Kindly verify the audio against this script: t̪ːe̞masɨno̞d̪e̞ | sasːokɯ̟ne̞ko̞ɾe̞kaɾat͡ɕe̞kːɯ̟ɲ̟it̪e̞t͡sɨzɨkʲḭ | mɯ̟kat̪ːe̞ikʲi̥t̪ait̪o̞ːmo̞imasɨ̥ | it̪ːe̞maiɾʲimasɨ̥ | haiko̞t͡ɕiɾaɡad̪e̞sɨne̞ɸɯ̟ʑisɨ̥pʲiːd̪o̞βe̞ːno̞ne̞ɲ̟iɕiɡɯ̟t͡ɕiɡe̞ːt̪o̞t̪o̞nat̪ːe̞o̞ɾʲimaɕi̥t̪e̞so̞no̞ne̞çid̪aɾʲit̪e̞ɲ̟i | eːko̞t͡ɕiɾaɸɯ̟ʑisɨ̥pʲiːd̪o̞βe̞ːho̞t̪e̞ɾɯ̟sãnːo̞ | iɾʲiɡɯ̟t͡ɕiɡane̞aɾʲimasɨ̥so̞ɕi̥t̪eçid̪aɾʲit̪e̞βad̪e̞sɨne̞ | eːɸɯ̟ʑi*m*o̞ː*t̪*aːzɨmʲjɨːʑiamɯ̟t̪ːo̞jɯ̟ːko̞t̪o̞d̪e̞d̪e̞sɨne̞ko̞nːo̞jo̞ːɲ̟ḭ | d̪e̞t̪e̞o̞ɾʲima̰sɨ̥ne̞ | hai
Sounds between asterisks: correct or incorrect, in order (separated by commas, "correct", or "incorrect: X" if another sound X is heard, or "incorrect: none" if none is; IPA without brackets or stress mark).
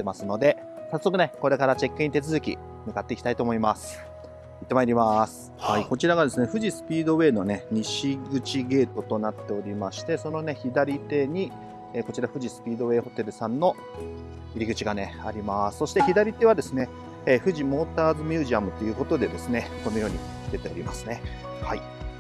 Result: correct, correct